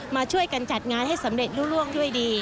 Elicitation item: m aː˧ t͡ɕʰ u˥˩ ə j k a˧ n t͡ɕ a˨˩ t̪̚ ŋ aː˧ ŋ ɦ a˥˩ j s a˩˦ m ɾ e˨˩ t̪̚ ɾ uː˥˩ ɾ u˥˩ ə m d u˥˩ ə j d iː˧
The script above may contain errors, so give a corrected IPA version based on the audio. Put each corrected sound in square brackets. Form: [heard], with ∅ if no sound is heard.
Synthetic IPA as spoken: m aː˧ t͡ɕʰ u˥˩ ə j k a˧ n t͡ɕ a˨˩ t̪̚ ŋ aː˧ [n] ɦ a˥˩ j s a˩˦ m ɾ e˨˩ t̪̚ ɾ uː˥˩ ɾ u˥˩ ə [ŋ] d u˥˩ ə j d iː˧